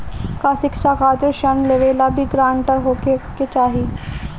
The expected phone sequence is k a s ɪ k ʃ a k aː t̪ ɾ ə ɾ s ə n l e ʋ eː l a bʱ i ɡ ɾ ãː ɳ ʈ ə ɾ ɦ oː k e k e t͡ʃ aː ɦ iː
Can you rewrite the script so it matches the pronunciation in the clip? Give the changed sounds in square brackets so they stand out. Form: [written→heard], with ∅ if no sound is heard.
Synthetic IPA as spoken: k a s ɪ k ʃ a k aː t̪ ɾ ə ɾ [s→ʃ] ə n l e ʋ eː l a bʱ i ɡ ɾ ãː ɳ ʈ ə ɾ ɦ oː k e k e t͡ʃ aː ɦ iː